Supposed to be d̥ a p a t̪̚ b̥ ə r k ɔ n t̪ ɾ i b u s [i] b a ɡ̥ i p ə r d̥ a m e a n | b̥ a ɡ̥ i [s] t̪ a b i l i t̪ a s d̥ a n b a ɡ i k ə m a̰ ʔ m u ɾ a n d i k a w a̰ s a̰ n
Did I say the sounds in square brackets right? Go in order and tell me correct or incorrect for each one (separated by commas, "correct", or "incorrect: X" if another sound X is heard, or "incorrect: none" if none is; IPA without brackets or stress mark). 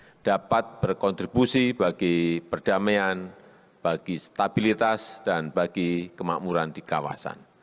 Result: correct, correct